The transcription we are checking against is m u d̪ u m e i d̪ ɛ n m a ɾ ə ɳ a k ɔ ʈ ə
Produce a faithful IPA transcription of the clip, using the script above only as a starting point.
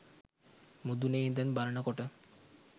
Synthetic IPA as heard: m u d̪ u n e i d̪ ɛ n b a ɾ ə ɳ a k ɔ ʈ ə